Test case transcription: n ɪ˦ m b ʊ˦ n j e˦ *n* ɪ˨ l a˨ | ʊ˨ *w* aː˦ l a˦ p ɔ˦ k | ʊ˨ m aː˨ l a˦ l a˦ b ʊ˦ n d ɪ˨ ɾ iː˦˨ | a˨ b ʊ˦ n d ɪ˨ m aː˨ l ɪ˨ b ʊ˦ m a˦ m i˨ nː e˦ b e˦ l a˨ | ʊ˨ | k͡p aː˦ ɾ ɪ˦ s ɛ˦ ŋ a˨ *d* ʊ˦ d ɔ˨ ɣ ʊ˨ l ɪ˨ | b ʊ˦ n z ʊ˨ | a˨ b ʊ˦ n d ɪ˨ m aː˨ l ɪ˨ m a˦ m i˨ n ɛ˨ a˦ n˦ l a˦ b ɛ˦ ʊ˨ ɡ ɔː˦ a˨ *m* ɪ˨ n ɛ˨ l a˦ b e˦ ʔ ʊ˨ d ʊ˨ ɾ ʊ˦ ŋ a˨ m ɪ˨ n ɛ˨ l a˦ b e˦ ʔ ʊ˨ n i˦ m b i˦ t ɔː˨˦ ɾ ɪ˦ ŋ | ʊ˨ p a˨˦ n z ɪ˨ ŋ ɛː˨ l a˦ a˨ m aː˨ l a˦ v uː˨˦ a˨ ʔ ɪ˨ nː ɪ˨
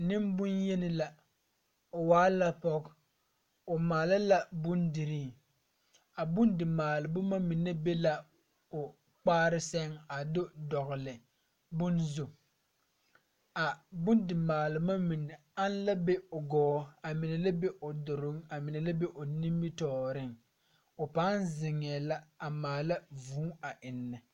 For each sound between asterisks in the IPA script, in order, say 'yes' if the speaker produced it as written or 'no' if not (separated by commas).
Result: yes, yes, yes, yes